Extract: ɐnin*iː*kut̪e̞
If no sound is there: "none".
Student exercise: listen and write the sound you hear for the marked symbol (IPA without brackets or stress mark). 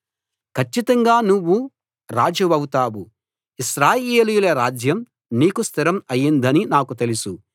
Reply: aː